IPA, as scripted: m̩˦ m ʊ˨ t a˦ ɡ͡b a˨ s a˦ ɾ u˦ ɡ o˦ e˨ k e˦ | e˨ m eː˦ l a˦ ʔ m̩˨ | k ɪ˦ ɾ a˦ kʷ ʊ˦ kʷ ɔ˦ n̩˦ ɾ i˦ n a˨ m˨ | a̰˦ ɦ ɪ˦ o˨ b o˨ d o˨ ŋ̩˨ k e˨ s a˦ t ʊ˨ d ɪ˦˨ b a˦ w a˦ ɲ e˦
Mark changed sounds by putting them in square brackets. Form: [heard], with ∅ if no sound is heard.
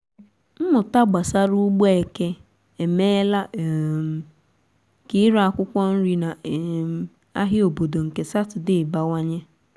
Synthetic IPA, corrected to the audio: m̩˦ m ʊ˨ t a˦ ɡ͡b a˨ s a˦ ɾ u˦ [ɡ͡b] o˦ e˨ k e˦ | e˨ m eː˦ l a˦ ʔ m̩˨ | k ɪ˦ ɾ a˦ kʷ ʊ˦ kʷ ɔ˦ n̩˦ ɾ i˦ n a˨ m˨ | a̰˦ ɦ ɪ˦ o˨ b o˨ d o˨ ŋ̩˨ k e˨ s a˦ t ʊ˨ d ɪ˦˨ b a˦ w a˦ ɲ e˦